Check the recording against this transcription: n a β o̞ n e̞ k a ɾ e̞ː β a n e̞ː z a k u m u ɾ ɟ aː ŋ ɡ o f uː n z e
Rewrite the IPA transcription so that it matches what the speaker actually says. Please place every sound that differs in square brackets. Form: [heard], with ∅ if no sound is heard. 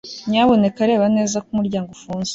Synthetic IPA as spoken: [ɲ] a β o̞ n e̞ k a ɾ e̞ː β a n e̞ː z a k u m u ɾ ɟ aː ŋ ɡ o f uː n z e

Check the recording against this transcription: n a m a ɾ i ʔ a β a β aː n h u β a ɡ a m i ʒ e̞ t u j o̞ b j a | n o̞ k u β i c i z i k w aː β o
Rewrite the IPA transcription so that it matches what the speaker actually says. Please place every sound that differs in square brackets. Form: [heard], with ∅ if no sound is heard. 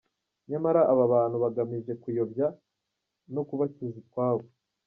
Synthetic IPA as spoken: [ɲ] a m a ɾ [a] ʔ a β a β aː n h u β a ɡ a m i ʒ e̞ [k] u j o̞ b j a | n o̞ k u β [a] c i z i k w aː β o

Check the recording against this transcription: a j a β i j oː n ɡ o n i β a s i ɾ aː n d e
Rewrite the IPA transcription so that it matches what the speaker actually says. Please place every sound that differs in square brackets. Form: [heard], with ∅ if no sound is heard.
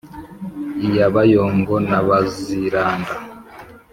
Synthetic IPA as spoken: [i] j a β [a] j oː [ŋ] ɡ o n [a] β a [z] i ɾ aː n d [a]

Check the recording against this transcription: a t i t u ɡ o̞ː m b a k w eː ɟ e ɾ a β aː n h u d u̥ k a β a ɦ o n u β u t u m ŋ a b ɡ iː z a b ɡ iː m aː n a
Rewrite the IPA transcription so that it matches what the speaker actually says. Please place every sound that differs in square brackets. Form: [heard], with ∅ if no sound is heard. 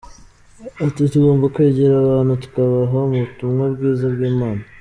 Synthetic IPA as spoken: a t i t u ɡ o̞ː m b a k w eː ɟ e ɾ a β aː n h u [t] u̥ k a β a ɦ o [m] u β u t u m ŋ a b ɡ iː z a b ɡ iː m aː n a

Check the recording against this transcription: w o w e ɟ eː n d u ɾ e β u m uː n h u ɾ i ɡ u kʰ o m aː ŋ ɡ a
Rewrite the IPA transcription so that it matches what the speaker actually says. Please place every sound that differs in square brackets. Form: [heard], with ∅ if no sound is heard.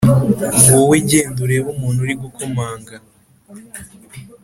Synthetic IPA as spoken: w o w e ɟ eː n d u ɾ e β u m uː n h u ɾ i ɡ u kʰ o m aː ŋ ɡ a

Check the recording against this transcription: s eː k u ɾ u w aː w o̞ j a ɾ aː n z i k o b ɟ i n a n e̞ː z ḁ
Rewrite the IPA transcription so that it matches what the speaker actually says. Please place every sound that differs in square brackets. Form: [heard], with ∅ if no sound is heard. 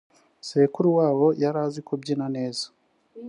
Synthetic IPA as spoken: s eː k u ɾ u w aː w o̞ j a ɾ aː [∅] z i k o b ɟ i n a n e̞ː z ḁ

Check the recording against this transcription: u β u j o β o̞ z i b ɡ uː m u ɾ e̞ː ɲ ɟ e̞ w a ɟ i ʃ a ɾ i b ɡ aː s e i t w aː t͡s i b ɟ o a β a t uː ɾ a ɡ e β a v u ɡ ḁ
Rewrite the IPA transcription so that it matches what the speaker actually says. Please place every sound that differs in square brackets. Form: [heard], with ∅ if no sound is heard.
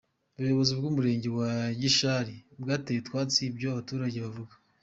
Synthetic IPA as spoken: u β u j o β o̞ z i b ɡ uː m u ɾ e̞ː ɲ ɟ e̞ w a ɟ i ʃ a ɾ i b ɡ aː [t] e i t w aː t͡s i b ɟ o a β a t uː ɾ a [ɟ] e β a v u ɡ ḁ

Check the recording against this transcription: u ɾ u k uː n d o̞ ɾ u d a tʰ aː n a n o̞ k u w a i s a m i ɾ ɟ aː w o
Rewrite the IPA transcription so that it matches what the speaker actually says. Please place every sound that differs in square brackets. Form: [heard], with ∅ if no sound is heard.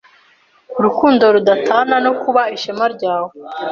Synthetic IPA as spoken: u ɾ u k uː n d o̞ ɾ u d a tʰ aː n a n o̞ k u [β] a i [ʃ] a m [a] ɾ ɟ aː w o

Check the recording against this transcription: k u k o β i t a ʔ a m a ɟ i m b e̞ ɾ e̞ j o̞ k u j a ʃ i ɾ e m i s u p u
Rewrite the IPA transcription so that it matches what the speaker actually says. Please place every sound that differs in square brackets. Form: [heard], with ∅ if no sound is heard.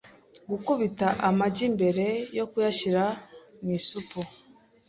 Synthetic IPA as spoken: [ɡ] u k [u] β i t a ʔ a m a ɟ i m b e̞ ɾ e̞ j o̞ k u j a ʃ i ɾ [a] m i s u p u

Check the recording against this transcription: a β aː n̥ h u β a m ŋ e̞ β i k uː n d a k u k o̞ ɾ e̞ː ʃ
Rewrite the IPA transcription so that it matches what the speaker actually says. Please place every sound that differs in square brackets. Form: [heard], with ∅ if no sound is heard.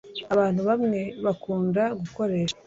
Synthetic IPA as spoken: a β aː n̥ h u β a m ŋ e̞ β [a] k uː n d a [ɡ] u k o̞ ɾ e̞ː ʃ

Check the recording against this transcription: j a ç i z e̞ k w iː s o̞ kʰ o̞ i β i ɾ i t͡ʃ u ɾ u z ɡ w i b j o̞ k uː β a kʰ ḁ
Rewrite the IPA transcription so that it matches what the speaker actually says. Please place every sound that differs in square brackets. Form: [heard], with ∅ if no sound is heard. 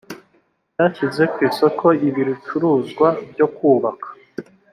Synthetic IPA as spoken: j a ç i z e̞ k w iː s o̞ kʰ o̞ i β i ɾ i t͡ʃ u ɾ u z ɡ w [a] b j o̞ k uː β a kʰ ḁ

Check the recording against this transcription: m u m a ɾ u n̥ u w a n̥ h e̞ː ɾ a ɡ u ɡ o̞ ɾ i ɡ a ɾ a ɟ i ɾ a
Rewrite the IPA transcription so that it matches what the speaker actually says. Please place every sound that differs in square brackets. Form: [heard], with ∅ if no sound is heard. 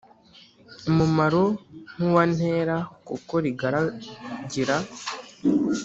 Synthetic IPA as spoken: m u m a ɾ [o] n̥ u w a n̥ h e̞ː ɾ a [k] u [k] o̞ ɾ i ɡ a ɾ a ɟ i ɾ a

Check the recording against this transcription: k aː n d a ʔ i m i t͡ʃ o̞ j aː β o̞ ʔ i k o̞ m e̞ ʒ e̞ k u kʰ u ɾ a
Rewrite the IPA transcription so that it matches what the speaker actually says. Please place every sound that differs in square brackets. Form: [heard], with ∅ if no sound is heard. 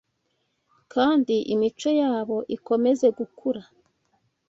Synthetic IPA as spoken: k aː n d [i] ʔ i m i t͡ʃ o̞ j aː β o̞ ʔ i k o̞ m e̞ [z] e̞ [ɡ] u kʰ u ɾ a

